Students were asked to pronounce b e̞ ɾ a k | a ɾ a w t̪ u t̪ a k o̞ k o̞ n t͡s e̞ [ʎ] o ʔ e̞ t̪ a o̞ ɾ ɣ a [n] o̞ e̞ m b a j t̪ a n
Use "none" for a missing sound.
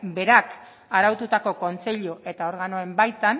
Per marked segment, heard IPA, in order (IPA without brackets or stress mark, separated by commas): ʎ, n